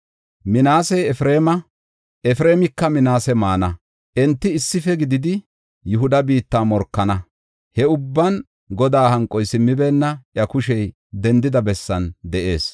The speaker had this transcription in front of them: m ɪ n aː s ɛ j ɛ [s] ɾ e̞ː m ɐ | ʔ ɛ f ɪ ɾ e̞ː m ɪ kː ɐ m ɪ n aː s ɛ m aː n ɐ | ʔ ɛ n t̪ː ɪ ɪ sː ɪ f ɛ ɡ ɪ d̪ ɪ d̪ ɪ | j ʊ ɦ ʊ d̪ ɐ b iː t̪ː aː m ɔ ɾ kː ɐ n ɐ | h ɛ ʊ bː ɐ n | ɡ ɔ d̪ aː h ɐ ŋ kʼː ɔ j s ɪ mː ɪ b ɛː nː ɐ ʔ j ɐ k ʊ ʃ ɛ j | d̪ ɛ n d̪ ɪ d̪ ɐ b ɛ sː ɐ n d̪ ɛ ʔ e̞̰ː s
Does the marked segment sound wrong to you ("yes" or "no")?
yes